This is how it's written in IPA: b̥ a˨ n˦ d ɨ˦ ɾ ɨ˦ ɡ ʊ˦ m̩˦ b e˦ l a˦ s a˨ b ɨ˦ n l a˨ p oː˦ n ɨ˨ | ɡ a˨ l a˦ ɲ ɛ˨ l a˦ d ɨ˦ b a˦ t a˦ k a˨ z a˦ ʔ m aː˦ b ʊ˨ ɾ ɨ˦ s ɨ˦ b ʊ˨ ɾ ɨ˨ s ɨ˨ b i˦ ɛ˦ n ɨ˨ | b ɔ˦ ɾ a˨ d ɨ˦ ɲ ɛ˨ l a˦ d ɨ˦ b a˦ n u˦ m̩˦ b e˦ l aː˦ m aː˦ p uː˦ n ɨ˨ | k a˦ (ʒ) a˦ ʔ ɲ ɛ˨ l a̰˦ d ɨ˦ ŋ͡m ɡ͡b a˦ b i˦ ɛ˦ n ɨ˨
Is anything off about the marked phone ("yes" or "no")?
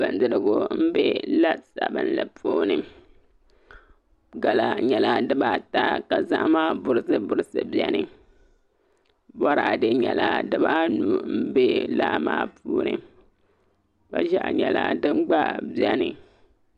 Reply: no